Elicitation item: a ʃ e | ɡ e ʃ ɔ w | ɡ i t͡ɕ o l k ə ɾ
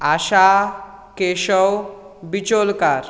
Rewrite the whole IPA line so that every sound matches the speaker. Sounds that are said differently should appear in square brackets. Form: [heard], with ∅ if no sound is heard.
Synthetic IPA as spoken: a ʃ [a] | [k] e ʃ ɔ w | [b] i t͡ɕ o l k [a] ɾ